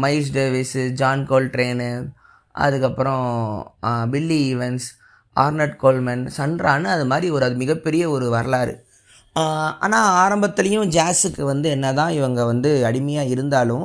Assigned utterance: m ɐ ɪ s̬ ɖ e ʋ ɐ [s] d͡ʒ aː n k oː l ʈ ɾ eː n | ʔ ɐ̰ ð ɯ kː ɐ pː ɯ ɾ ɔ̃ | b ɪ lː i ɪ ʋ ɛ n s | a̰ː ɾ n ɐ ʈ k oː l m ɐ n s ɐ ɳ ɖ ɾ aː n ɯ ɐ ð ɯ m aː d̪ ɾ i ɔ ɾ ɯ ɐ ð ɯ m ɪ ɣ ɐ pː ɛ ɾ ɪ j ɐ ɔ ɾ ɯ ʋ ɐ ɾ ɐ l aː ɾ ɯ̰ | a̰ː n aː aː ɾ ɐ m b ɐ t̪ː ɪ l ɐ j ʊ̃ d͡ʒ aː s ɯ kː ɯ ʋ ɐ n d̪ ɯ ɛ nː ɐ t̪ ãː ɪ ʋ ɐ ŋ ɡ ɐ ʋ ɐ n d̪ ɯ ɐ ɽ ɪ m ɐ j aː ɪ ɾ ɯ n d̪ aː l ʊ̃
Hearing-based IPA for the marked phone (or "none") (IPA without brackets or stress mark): s